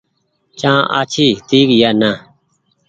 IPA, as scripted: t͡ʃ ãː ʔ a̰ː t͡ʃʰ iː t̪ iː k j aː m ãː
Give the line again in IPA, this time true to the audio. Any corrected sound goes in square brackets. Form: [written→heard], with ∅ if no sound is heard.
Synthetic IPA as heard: t͡ʃ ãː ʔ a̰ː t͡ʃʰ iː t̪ iː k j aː [m→n] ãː